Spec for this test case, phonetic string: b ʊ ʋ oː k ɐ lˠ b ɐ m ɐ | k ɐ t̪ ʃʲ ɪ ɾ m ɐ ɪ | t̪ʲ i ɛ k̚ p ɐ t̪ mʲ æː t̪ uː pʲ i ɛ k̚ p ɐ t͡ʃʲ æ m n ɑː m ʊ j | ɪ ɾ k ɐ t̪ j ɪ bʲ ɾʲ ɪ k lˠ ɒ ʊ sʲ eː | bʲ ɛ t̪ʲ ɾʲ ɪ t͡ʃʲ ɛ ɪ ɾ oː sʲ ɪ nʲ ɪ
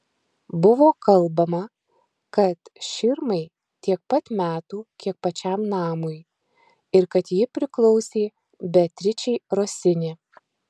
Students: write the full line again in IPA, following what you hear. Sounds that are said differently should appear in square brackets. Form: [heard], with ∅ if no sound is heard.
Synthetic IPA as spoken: b ʊ ʋ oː k ɐ lˠ b ɐ m ɐ | k ɐ t̪ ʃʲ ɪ ɾ m ɐ ɪ | t̪ʲ i ɛ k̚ p ɐ t̪ mʲ æː t̪ uː [kʲ] i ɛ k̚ p ɐ t͡ʃʲ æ m n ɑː m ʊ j | ɪ ɾ k ɐ t̪ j ɪ [pʲ] ɾʲ ɪ k lˠ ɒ ʊ sʲ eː | bʲ ɛ t̪ʲ ɾʲ ɪ t͡ʃʲ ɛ ɪ ɾ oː sʲ ɪ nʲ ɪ

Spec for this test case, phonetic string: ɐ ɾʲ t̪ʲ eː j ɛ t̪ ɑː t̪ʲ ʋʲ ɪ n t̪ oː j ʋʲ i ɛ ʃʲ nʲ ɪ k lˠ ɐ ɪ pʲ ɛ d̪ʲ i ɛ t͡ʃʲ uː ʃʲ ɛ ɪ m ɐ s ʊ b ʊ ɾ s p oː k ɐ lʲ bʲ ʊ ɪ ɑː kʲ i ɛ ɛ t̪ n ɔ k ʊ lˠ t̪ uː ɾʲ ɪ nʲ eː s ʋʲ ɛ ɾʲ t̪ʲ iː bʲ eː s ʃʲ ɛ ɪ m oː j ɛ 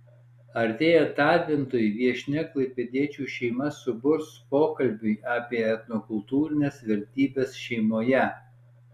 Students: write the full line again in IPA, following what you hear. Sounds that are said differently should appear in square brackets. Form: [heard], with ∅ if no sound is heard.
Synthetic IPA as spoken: ɐ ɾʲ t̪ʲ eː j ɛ t̪ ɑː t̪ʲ ʋʲ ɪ n t̪ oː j ʋʲ i ɛ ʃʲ nʲ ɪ k lˠ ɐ ɪ pʲ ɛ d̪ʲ i ɛ t͡ʃʲ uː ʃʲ ɛ ɪ m ɐ s ʊ b ʊ ɾ s p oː k ɐ lʲ bʲ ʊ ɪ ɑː [pʲ] i ɛ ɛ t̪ n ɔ k ʊ lˠ t̪ uː ɾʲ ɪ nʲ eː s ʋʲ ɛ ɾʲ t̪ʲ iː bʲ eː s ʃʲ ɛ ɪ m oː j ɛ

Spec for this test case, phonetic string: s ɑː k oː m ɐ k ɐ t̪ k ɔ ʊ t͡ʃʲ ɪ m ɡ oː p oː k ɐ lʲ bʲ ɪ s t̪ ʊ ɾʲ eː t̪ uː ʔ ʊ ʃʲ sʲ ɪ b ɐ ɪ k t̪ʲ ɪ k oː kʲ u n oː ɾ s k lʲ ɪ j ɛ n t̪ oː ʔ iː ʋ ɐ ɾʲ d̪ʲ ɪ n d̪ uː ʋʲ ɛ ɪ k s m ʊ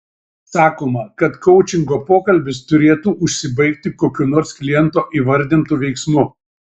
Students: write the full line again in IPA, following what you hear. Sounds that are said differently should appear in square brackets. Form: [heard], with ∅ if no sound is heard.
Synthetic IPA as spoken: s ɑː k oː m ɐ k ɐ t̪ k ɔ ʊ t͡ʃʲ ɪ [ŋ] ɡ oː p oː k ɐ lʲ bʲ ɪ s t̪ ʊ ɾʲ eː t̪ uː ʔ ʊ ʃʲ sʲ ɪ b ɐ ɪ k t̪ʲ ɪ k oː kʲ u n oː ɾ s k lʲ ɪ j ɛ n t̪ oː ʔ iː ʋ ɐ ɾʲ d̪ʲ ɪ n [t̪] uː ʋʲ ɛ ɪ k s m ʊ

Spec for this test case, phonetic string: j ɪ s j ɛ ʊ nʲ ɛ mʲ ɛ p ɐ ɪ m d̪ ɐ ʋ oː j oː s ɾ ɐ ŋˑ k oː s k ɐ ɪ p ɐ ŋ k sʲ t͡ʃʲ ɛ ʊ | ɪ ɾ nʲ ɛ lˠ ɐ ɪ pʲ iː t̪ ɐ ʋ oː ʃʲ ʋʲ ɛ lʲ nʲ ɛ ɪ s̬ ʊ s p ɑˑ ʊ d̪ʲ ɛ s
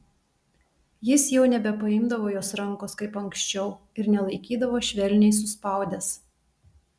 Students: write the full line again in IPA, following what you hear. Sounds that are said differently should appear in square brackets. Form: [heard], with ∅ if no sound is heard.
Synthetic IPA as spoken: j ɪ s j ɛ ʊ nʲ ɛ [bʲ] ɛ p ɐ ɪ m d̪ ɐ ʋ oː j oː s ɾ ɐ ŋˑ k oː s k ɐ ɪ p ɐ ŋ k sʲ t͡ʃʲ ɛ ʊ | ɪ ɾ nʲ ɛ lˠ ɐ ɪ [kʲ] iː [d̪] ɐ ʋ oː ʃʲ ʋʲ ɛ lʲ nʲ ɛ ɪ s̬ ʊ s p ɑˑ ʊ d̪ʲ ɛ s

